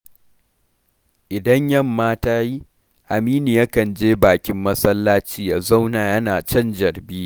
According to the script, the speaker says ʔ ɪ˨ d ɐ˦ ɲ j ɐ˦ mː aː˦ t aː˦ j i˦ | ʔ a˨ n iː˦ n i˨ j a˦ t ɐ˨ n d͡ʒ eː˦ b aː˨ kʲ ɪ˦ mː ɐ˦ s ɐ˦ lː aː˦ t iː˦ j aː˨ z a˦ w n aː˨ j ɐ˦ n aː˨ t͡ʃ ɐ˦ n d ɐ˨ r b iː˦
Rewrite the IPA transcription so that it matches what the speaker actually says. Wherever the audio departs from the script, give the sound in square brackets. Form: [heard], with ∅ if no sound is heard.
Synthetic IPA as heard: ʔ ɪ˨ d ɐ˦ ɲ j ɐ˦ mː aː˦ t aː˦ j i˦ | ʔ a˨ [m] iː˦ n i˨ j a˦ [k] ɐ˨ n d͡ʒ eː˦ b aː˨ kʲ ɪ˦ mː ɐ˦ s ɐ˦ lː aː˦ [t͡ʃ] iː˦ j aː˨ z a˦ w n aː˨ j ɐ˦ n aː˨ t͡ʃ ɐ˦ n [d͡ʒ] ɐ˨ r b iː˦